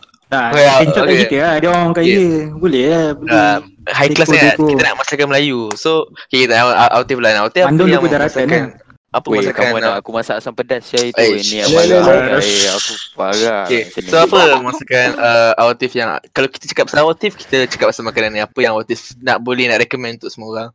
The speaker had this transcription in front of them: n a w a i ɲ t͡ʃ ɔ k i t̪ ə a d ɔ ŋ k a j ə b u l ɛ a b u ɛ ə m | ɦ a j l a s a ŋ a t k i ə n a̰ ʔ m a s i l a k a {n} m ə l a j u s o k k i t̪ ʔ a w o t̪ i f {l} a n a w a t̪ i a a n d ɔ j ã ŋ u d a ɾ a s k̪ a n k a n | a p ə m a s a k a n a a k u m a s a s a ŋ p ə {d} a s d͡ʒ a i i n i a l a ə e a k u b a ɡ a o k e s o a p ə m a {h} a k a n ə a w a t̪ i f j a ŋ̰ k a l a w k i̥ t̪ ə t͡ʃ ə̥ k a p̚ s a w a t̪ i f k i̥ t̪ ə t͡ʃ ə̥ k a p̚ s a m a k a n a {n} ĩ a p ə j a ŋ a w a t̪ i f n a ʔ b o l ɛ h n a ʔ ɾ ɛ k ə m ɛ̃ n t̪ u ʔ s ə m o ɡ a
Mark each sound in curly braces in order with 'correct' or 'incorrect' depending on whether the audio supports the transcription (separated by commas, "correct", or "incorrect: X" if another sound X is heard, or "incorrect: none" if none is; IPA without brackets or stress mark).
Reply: correct, correct, correct, incorrect: s, correct